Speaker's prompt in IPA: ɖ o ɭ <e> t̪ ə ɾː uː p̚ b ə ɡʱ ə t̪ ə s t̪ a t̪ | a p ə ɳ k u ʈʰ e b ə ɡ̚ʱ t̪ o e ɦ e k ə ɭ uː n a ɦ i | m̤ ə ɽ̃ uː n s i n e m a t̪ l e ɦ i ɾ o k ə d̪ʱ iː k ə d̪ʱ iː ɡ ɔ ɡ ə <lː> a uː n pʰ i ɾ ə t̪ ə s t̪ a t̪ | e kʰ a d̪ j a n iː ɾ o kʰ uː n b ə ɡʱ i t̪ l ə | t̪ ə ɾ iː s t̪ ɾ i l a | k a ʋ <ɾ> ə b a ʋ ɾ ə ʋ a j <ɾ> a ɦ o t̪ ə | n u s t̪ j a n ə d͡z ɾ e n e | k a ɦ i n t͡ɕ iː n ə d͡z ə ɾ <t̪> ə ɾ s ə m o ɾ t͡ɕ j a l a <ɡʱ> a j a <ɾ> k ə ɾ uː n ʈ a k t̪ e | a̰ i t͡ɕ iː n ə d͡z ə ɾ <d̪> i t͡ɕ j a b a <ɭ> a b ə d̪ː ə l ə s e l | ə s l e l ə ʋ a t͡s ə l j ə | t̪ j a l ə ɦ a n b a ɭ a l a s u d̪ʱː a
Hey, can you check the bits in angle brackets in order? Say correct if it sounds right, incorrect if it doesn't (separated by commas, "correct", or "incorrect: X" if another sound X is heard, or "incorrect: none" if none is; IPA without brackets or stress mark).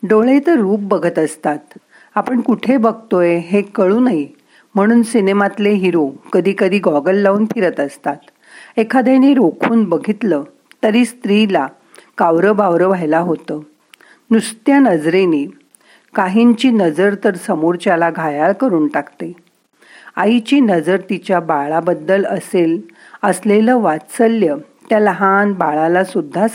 correct, correct, correct, incorrect: l, correct, correct, incorrect: ɭ, incorrect: t̪, correct